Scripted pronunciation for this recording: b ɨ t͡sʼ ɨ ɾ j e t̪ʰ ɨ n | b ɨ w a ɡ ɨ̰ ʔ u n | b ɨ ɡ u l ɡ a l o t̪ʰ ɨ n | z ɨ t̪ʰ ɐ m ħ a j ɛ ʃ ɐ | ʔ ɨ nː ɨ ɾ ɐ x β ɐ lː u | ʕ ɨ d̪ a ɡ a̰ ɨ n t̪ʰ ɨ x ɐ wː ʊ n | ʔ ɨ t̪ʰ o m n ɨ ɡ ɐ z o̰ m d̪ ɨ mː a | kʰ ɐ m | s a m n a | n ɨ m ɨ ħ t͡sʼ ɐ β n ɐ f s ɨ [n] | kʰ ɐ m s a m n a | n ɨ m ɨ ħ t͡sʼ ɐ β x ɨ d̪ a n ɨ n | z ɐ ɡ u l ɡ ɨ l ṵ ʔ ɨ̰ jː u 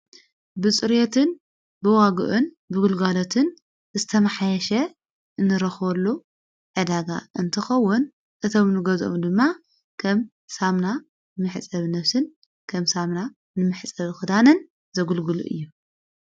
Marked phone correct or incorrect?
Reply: correct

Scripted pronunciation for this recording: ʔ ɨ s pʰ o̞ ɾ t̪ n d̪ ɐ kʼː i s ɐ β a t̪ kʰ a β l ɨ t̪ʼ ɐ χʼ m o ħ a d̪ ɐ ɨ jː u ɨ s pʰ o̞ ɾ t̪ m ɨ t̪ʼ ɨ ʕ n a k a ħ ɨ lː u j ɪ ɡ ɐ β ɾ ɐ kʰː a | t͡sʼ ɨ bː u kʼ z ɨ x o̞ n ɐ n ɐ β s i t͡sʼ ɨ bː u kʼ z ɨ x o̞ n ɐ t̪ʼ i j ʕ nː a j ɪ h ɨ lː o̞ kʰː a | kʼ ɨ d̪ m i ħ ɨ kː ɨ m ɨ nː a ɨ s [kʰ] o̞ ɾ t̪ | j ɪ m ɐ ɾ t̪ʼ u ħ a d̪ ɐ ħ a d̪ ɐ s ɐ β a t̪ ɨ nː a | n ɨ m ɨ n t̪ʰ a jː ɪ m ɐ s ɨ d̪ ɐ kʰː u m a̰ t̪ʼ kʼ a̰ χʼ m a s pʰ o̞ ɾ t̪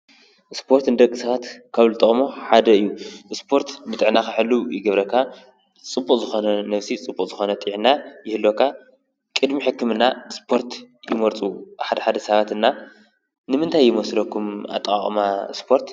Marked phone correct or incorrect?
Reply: incorrect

